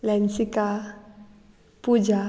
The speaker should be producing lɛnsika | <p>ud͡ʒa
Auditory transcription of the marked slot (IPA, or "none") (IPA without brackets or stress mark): p